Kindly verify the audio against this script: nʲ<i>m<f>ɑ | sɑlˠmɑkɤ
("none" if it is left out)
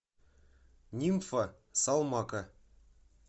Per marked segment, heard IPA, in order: i, f

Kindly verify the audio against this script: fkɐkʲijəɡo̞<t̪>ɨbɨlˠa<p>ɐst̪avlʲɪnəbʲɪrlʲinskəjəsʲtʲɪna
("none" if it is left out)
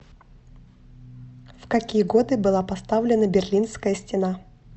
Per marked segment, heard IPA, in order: d̪, p

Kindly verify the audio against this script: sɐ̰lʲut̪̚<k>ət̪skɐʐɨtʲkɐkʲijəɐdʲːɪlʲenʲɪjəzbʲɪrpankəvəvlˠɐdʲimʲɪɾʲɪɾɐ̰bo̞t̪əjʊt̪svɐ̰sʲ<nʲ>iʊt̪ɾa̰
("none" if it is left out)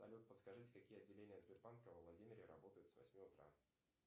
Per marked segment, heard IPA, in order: p, mʲ

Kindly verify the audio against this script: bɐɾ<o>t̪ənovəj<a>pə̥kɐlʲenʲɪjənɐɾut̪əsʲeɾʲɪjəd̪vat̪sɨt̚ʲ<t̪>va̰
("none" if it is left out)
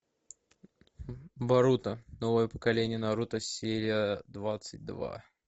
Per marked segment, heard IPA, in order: u, ə, d̪

